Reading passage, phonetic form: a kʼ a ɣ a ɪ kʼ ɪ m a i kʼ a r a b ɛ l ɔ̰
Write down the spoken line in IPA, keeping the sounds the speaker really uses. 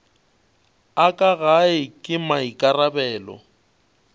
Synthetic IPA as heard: a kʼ a ɣ a ɪ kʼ ɪ m a i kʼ a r a b ɛː l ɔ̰